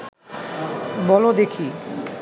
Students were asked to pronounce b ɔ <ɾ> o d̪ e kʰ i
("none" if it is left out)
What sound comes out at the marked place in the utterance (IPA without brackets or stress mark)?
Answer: l